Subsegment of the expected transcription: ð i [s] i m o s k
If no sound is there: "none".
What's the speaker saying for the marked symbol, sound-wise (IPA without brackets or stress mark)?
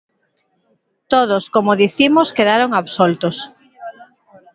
θ